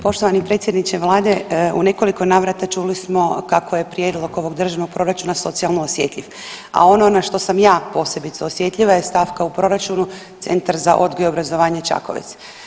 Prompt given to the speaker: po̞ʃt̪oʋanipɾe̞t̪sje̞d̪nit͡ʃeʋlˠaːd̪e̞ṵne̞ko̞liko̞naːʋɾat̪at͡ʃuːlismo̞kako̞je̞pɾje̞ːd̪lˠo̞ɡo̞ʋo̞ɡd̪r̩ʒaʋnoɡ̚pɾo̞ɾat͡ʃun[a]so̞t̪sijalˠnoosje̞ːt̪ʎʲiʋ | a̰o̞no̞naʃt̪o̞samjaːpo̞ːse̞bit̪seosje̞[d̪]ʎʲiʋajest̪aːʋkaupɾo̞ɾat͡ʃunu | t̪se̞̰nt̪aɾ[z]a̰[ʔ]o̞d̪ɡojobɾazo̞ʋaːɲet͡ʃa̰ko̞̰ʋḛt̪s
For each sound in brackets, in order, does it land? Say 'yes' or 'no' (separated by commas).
yes, no, yes, yes